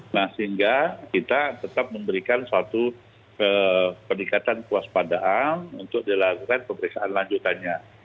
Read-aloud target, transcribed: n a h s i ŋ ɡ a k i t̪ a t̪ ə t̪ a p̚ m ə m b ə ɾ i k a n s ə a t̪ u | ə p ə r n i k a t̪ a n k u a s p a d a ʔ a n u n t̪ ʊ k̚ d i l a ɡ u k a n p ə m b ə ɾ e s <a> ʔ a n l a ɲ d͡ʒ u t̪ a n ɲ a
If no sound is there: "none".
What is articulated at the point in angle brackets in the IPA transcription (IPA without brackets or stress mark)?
a